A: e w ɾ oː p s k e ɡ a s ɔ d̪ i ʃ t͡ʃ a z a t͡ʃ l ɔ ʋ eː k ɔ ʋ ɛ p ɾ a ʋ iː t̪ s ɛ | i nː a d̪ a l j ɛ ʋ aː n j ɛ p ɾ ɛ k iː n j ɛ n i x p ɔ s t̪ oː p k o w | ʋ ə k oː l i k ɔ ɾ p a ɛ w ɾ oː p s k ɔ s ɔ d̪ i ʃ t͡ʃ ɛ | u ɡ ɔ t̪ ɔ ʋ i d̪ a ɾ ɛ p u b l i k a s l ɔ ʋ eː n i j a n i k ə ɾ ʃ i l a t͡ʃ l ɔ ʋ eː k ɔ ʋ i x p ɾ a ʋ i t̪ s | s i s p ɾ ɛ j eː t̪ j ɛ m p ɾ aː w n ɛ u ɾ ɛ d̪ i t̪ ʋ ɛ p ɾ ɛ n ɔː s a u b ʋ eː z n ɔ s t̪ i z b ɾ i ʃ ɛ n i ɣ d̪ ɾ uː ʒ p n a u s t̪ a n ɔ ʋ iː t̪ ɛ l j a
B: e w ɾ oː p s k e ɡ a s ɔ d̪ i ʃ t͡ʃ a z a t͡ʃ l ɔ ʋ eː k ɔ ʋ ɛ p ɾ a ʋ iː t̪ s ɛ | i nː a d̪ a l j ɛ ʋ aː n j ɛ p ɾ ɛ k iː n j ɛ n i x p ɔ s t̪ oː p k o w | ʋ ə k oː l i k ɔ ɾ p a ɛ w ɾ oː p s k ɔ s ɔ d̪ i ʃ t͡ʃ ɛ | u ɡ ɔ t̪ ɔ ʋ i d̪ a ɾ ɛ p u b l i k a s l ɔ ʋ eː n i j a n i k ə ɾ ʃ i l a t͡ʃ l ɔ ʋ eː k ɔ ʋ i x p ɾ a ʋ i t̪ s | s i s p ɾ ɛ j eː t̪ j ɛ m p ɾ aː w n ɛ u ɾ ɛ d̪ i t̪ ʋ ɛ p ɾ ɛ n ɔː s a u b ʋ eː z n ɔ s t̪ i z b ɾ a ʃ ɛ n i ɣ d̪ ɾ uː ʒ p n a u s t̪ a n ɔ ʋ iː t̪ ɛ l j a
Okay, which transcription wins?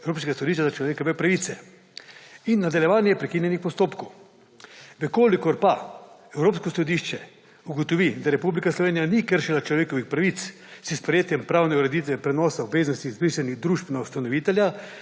A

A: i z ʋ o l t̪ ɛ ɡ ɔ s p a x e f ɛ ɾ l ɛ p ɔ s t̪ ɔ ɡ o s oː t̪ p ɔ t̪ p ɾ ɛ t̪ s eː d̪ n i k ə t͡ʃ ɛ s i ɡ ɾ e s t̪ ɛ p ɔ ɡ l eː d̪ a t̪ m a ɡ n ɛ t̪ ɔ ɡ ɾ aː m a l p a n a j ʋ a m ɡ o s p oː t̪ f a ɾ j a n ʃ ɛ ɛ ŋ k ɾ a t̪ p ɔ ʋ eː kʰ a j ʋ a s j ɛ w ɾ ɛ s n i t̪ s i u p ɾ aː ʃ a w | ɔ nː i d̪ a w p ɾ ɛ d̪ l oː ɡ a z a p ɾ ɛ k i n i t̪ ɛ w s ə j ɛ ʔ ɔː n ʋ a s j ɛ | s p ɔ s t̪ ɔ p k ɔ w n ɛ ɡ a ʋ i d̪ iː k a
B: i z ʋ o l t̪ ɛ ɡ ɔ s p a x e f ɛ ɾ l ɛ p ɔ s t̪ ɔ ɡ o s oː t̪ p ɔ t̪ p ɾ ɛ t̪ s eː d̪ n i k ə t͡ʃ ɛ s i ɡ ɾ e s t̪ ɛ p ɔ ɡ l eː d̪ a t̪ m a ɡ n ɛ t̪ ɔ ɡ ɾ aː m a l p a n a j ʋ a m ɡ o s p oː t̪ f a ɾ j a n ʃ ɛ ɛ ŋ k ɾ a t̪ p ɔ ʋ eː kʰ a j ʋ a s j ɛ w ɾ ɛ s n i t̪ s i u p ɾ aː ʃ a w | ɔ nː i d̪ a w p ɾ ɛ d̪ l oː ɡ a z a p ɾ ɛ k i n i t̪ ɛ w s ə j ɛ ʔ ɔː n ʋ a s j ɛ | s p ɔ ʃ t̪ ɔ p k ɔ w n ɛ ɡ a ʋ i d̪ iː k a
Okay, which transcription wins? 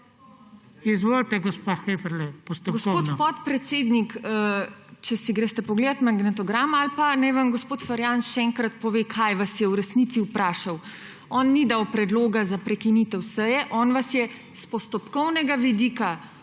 A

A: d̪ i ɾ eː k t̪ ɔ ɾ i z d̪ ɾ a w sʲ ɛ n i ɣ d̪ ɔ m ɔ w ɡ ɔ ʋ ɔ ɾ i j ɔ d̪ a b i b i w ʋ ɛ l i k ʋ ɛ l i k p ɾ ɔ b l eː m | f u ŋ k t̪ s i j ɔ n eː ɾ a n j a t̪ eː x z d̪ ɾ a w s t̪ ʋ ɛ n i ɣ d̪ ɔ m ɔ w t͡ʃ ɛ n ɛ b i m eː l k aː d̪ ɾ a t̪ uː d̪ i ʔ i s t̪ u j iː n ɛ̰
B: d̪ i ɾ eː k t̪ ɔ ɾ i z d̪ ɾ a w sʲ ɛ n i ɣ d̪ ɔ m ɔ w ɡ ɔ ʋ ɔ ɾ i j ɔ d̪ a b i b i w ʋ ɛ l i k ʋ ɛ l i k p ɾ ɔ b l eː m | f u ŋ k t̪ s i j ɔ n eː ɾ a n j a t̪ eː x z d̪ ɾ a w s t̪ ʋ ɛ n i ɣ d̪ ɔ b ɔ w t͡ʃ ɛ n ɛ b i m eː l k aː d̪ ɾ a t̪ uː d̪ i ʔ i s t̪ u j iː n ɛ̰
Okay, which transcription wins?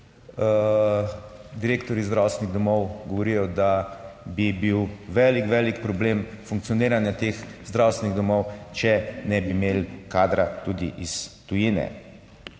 A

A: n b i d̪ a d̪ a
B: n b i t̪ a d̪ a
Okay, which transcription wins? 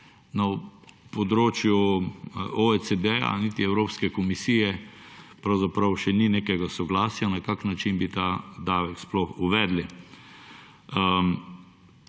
B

